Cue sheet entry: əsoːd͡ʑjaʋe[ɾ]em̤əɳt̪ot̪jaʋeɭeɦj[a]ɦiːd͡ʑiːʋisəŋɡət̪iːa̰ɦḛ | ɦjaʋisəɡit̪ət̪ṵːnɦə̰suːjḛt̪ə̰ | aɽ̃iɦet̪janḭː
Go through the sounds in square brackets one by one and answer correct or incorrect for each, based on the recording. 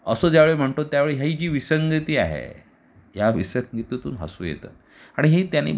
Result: incorrect: ɭ, correct

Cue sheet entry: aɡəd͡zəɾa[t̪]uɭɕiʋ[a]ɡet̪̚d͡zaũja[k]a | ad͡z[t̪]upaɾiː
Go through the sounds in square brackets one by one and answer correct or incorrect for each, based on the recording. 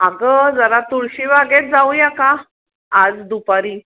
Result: correct, correct, correct, incorrect: d̪

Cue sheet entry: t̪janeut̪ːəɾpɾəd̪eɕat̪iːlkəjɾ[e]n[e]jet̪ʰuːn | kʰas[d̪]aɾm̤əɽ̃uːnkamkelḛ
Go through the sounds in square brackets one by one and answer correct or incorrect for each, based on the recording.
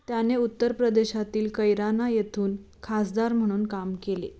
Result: incorrect: a, incorrect: a, correct

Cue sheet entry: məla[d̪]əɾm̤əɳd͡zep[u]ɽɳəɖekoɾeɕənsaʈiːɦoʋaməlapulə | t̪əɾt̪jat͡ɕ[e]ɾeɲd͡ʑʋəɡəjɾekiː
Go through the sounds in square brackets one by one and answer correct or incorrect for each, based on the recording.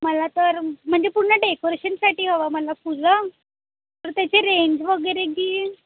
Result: incorrect: t̪, correct, correct

